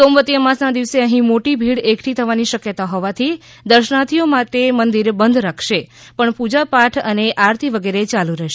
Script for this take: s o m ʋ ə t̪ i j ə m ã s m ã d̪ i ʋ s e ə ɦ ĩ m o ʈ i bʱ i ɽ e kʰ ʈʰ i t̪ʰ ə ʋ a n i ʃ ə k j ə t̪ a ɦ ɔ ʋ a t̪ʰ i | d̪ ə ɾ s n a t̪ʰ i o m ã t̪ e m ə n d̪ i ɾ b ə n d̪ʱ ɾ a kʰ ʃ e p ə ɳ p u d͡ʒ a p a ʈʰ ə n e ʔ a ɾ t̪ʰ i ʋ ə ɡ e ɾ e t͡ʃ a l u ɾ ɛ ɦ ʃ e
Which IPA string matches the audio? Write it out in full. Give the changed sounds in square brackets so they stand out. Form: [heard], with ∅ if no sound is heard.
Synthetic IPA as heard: s o m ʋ ə t̪ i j ə m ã s [n] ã d̪ i ʋ s e ə ɦ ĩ m o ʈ i bʱ i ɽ e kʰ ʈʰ i t̪ʰ ə ʋ a n i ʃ ə k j ə t̪ a ɦ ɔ ʋ a t̪ʰ i | d̪ ə ɾ [ʃ] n a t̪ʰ i o m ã t̪ e m ə n d̪ i ɾ b ə n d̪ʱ ɾ a kʰ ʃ e p ə ɳ p u d͡ʒ a p a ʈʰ ə n e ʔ a ɾ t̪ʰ i ʋ ə ɡ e ɾ e t͡ʃ a l u ɾ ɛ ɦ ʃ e